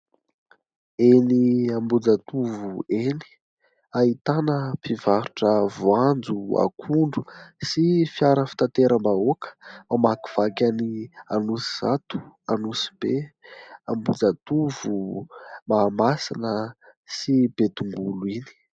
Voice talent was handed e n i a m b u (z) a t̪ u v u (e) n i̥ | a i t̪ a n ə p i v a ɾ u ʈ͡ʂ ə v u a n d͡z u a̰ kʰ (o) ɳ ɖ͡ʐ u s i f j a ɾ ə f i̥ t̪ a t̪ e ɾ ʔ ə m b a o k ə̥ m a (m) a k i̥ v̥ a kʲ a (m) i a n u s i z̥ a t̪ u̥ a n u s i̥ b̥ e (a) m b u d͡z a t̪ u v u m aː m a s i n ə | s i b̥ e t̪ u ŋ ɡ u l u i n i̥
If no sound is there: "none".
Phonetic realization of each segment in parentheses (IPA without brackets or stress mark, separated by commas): d͡z, e, u, m, n, a